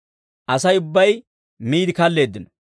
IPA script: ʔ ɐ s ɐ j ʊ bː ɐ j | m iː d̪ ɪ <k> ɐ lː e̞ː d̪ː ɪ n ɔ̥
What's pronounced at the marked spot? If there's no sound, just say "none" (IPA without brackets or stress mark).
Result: k